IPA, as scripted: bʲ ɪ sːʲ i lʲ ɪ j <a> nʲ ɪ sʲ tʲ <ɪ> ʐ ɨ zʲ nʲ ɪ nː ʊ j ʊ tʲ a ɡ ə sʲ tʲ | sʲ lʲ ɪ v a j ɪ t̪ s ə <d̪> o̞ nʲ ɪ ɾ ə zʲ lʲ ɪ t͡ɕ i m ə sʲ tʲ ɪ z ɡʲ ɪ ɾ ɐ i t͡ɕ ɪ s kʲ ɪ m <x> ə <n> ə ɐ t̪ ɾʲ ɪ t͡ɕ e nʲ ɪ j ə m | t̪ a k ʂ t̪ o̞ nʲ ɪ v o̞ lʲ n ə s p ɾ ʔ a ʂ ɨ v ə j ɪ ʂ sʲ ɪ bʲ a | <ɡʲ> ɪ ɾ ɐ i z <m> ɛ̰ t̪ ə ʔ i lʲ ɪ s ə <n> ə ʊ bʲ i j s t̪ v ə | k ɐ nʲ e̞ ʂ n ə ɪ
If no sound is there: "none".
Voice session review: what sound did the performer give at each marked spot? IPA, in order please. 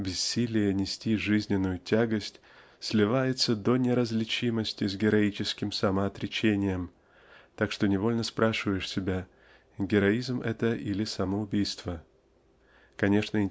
ə, i, d̪, s, m, ɡʲ, m, m

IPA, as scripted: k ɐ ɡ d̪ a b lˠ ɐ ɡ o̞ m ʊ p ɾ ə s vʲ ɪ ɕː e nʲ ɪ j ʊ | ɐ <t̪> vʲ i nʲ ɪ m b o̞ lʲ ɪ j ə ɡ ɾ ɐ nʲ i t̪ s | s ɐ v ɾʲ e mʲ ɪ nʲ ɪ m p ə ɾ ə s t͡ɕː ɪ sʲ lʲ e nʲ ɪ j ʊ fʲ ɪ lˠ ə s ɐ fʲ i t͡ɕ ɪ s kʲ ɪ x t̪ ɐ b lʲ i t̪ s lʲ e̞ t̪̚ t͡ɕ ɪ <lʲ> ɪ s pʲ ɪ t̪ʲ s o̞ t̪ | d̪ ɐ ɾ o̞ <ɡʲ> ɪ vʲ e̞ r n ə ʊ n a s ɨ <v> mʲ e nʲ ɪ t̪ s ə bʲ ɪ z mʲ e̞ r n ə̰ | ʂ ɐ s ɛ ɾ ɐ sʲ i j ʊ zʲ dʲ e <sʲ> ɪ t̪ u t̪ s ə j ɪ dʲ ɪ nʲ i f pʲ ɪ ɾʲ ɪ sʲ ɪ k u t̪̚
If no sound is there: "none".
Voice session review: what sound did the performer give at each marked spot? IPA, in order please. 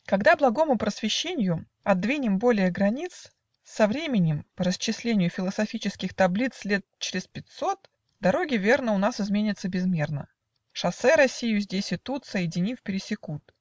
d̪, ɾʲ, ɡʲ, z, sʲ

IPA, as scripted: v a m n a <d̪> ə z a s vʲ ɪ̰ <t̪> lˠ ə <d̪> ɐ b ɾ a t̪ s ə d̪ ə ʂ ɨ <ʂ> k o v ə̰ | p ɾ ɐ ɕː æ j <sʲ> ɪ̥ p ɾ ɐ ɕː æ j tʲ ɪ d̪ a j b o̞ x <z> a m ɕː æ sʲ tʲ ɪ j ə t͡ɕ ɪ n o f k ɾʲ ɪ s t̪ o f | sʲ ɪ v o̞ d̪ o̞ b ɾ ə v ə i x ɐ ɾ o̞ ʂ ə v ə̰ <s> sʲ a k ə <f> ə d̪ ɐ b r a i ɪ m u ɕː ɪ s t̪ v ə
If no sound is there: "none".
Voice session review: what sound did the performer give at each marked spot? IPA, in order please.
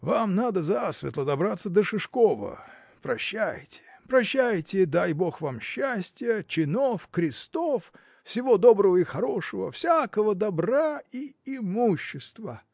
d̪, t̪, d̪, ʂ, tʲ, v, f, v

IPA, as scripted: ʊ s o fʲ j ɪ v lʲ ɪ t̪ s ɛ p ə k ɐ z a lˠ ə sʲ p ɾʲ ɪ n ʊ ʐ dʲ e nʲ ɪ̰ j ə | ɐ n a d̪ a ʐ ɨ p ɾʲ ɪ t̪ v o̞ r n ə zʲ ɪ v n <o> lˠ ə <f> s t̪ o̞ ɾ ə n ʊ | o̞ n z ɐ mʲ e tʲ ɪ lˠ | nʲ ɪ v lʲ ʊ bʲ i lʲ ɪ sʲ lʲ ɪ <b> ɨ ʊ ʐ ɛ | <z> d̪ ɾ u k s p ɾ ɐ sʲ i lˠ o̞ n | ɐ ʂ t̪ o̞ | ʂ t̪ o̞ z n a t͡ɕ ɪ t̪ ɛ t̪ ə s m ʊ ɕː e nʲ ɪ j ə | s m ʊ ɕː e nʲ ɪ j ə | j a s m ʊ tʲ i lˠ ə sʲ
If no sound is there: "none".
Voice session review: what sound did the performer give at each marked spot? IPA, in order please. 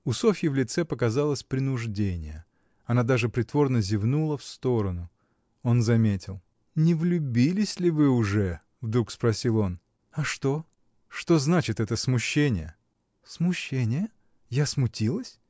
u, f, v, v

